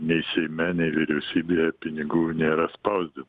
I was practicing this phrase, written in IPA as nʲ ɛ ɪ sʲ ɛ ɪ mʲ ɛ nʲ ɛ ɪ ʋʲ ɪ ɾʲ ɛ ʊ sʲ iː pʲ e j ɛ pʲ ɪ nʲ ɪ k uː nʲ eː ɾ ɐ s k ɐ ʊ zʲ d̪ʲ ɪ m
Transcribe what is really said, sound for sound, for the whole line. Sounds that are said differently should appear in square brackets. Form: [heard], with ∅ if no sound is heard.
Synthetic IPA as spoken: nʲ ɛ ɪ sʲ ɛ ɪ mʲ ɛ nʲ ɛ ɪ ʋʲ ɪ ɾʲ ɛ ʊ sʲ iː [bʲ] e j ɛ pʲ ɪ nʲ ɪ [ɡ] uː nʲ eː ɾ ɐ s [p] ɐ ʊ zʲ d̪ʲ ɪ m

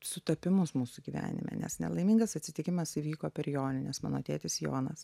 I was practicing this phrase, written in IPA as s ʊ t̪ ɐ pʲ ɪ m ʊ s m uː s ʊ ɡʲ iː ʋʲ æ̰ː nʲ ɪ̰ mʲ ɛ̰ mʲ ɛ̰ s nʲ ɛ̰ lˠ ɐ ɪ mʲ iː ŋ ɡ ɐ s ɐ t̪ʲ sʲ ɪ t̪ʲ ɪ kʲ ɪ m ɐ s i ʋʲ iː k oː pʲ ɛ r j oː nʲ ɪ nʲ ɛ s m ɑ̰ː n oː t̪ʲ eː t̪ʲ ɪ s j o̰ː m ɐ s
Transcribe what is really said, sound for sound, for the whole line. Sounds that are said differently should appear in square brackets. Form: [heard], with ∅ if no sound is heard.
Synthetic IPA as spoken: s ʊ t̪ ɐ pʲ ɪ m ʊ s m uː s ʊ ɡʲ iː ʋʲ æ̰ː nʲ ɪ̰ mʲ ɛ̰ [nʲ] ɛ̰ s nʲ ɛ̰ lˠ ɐ ɪ mʲ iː ŋ ɡ ɐ s ɐ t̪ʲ sʲ ɪ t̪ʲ ɪ kʲ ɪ m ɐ s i ʋʲ iː k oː pʲ ɛ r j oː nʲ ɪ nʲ ɛ s m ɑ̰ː n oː t̪ʲ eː t̪ʲ ɪ s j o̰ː [n] ɐ s

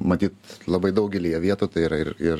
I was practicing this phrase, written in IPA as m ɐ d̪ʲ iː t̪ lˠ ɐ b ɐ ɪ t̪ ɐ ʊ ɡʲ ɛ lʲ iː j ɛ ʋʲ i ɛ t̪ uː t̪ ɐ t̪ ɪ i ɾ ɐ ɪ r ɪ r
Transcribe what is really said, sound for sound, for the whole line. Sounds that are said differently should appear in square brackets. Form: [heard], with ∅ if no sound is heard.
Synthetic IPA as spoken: m ɐ [t̪ʲ] iː t̪ lˠ ɐ b ɐ ɪ [d̪] ɐ ʊ ɡʲ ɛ lʲ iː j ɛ ʋʲ i ɛ t̪ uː t̪ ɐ [∅] ɪ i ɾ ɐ ɪ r ɪ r

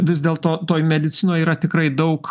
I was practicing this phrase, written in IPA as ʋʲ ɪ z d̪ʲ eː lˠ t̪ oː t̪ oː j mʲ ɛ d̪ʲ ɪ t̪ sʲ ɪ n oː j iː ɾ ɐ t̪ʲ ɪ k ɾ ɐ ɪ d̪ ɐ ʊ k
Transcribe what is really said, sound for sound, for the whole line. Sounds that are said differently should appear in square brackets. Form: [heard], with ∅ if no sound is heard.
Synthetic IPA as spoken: ʋʲ ɪ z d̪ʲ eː lˠ t̪ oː t̪ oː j mʲ ɛ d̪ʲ ɪ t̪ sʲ ɪ n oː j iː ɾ ɐ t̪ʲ ɪ k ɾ ɐ ɪ d̪ ɐ ʊ k

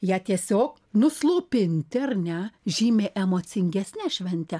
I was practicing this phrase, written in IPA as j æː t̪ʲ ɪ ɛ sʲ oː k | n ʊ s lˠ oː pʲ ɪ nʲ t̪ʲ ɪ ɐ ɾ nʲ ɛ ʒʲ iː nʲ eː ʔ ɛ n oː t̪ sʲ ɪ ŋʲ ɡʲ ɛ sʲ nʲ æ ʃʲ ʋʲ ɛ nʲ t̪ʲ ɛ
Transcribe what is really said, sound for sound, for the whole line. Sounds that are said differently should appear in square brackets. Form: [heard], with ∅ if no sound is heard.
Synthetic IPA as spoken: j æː t̪ʲ [i] ɛ sʲ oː k | n ʊ s lˠ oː pʲ ɪ nʲ t̪ʲ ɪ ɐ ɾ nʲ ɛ ʒʲ iː [mʲ] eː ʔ ɛ [m] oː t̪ sʲ ɪ ŋʲ ɡʲ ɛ sʲ nʲ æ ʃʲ ʋʲ ɛ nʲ t̪ʲ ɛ

